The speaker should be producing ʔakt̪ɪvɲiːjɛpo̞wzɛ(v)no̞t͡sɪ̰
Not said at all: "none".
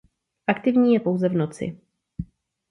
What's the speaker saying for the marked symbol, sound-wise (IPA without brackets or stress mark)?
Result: v